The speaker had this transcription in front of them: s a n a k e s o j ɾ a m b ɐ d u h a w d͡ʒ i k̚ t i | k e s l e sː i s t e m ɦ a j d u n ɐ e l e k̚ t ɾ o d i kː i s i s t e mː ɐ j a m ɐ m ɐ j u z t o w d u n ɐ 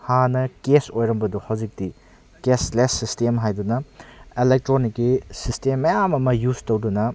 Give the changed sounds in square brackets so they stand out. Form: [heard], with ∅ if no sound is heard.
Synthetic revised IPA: [h] a n [ɐ] k e s o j ɾ [ɐ] m b ɐ d u h a w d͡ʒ i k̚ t i | k e s l e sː i s t e m ɦ a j d u n ɐ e l e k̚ t ɾ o [n] i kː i s i s t e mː ɐ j a m ɐ m ɐ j u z t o w d u n ɐ